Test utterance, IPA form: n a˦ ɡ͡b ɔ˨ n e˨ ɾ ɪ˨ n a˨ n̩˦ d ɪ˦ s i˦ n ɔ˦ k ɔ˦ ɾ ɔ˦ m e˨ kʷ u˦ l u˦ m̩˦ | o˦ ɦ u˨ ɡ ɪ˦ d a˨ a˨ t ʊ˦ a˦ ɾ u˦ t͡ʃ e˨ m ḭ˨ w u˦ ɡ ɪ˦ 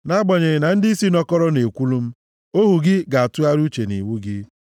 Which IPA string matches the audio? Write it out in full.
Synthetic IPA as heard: n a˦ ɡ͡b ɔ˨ ɲ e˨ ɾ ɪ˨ n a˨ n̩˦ d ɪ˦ s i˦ n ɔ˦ k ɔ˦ ɾ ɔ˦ n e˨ kʷ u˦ l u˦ m̩˦ | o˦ ɦ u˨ ɡ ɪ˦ ɡ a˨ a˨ t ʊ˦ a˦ ɾ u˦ t͡ʃ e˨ n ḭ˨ w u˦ ɡ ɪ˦

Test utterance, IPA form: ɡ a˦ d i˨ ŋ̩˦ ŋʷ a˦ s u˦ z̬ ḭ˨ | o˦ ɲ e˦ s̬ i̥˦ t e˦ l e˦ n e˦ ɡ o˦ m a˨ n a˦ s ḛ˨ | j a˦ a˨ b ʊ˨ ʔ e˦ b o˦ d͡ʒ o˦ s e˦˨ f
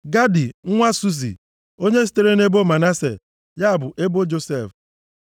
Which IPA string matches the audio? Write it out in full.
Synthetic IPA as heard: ɡ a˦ d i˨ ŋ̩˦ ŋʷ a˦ s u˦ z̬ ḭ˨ | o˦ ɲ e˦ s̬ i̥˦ t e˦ ɾ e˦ n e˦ b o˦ m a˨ n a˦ s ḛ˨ | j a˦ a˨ b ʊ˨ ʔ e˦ b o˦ d͡ʒ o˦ s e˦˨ f

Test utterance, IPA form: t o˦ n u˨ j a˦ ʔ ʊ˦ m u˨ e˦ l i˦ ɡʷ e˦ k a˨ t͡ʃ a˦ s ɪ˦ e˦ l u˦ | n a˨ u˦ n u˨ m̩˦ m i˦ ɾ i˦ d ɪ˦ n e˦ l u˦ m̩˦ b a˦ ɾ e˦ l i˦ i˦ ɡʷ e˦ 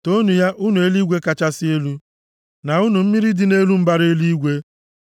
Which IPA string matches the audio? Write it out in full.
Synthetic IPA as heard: t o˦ n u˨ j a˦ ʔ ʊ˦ n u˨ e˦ l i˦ ɡʷ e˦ k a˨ t͡ʃ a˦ s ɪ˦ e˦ l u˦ | n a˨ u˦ n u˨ m̩˦ m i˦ ɾ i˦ d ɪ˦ n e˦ l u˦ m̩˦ b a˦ ɾ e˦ l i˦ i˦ ɡʷ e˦

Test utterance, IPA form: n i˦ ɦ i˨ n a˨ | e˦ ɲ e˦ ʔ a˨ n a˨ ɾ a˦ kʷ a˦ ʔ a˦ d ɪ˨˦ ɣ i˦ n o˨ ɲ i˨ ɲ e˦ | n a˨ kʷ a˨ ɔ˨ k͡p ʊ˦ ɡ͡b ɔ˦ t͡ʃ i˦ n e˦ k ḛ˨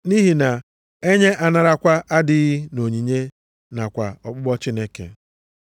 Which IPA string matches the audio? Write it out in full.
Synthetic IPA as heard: n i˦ ɦ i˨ n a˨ | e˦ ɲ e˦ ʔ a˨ n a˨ ɾ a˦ kʷ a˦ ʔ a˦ d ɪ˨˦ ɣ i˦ n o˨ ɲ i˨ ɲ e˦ | n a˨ kʷ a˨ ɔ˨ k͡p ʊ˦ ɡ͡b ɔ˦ t͡ʃ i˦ n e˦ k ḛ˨

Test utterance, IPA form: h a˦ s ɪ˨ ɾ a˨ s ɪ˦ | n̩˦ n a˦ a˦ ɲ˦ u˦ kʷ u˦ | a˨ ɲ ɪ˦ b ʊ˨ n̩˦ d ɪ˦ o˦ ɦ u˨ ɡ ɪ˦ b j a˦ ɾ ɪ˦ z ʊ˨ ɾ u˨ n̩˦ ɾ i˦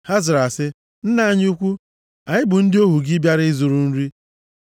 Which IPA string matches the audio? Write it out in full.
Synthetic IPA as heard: h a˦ z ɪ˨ ɾ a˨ s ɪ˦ | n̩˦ n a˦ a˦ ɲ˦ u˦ kʷ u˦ | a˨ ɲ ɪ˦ b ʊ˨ n̩˦ d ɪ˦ o˦ ɦ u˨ ɡ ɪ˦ b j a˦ ɾ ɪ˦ z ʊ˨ ɾ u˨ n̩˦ ɾ i˦

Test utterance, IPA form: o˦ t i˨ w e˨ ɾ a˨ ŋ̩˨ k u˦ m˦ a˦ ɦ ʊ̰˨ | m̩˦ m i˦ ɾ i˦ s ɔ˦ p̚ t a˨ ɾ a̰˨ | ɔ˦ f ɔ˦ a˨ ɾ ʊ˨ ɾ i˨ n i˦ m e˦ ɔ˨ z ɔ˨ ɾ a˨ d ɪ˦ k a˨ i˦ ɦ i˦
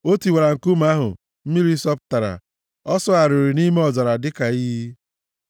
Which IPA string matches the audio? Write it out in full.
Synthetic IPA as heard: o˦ t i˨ w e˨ ɾ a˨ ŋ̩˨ k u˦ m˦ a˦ ɦ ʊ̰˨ | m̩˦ m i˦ ɾ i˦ s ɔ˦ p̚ t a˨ ɾ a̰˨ | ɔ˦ s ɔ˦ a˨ ɾ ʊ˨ ɾ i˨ n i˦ m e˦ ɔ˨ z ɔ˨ ɾ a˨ d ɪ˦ k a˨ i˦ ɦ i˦

